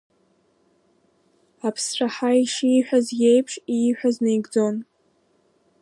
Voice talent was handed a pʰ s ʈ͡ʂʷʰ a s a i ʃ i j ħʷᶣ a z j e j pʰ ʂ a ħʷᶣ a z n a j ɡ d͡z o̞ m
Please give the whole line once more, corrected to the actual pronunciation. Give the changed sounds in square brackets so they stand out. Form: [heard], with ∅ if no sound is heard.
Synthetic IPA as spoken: a pʰ s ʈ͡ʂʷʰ a [ħ] a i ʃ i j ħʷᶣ a z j e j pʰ ʂ [i] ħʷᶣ a z n [e] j ɡ d͡z o̞ [n]

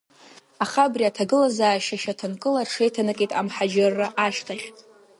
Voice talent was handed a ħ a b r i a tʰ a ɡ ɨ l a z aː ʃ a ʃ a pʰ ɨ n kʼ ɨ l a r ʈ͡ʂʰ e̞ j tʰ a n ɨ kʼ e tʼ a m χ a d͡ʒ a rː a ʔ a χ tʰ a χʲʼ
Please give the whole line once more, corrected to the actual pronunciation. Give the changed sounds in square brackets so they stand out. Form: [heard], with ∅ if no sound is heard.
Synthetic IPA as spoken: a [χ] a b r i a tʰ a ɡ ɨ l a z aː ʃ a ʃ a [tʰ] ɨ n kʼ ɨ l a r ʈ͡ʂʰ e̞ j tʰ a n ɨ kʼ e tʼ a m [ħ] a d͡ʒ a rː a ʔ a [ʃ] tʰ a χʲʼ

